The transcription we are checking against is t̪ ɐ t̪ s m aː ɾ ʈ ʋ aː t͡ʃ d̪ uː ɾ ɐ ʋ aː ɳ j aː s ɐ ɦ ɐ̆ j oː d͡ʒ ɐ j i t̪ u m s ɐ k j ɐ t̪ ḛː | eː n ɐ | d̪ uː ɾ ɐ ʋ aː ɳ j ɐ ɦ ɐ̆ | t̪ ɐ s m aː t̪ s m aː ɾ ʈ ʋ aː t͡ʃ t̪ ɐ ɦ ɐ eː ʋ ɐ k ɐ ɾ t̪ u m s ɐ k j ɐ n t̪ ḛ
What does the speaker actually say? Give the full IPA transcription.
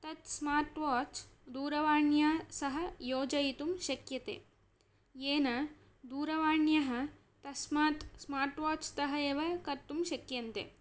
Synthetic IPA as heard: t̪ ɐ t̪ s m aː ɾ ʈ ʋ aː t͡ʃ d̪ uː ɾ ɐ ʋ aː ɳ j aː s ɐ ɦ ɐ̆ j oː d͡ʒ ɐ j i t̪ u m ʃ ɐ k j ɐ t̪ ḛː | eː n ɐ | d̪ uː ɾ ɐ ʋ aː ɳ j ɐ ɦ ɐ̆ | t̪ ɐ s m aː t̪ s m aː ɾ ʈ ʋ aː t͡ʃ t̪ ɐ ɦ ɐ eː ʋ ɐ k ɐ ɾ t̪ u m ʃ ɐ k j ɐ n t̪ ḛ